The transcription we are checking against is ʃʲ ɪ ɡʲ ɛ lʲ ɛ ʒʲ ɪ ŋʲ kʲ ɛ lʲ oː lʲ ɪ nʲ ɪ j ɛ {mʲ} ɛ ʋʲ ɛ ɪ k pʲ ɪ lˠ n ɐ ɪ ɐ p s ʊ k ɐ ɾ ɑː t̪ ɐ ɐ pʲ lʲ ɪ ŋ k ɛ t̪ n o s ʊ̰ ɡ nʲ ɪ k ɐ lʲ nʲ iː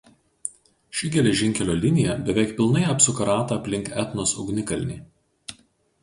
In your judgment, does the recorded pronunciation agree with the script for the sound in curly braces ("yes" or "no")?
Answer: no